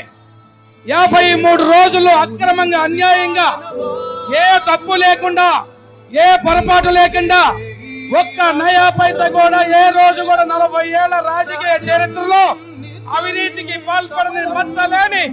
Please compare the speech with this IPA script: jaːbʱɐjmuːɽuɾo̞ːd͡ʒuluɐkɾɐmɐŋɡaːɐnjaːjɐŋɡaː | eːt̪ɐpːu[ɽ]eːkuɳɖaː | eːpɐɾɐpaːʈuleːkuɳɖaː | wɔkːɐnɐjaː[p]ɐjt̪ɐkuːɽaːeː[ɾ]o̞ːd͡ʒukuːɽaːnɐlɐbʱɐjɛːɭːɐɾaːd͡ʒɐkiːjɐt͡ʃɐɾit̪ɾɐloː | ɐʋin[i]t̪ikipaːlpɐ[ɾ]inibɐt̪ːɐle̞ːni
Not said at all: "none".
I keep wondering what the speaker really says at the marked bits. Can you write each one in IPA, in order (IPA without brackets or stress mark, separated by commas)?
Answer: l, p, ɾ, iː, ɽ